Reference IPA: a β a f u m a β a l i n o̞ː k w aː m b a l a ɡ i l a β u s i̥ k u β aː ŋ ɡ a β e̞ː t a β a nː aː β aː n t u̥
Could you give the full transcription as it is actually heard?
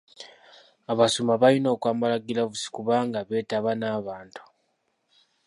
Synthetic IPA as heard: a β a s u m a β a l i n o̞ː k w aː m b a l a ɡ i l a β u s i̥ k u β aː ŋ ɡ a β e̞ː t a β a n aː β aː n t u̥